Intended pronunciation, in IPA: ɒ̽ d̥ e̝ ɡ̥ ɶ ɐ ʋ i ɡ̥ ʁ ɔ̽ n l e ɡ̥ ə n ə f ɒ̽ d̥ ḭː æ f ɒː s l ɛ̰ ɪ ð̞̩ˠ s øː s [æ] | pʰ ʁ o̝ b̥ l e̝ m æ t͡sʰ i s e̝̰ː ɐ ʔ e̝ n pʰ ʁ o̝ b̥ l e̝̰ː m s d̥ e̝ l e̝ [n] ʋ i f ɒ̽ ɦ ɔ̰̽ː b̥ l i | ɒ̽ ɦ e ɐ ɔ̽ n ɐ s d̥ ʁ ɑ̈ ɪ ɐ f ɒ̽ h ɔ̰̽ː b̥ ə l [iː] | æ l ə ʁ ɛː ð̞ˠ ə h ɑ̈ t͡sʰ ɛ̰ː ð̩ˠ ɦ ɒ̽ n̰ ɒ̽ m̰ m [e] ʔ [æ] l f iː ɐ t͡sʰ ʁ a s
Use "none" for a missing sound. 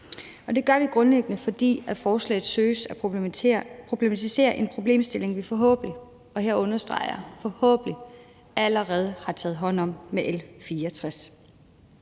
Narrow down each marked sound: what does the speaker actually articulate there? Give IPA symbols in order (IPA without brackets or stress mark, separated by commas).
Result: æ, ŋ, i, e, e